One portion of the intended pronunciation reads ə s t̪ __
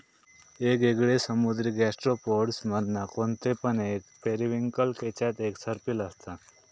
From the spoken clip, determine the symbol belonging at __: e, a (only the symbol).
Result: a